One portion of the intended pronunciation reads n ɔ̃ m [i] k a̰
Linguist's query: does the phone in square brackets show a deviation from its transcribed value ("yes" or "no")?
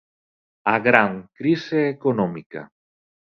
no